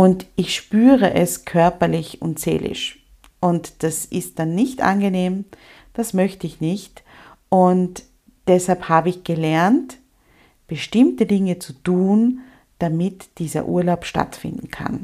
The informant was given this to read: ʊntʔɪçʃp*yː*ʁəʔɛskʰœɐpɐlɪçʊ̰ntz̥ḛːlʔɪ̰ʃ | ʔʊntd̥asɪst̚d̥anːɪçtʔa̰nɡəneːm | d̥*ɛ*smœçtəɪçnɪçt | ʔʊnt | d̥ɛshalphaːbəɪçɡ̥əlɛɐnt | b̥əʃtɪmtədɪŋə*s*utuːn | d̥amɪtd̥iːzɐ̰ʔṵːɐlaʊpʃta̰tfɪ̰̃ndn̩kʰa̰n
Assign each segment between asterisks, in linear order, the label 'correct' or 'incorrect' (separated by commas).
correct, incorrect, incorrect